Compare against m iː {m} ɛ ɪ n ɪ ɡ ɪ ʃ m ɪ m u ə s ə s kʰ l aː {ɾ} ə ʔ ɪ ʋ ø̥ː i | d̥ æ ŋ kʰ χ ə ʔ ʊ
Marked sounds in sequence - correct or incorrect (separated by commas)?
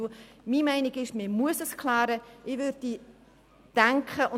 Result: correct, correct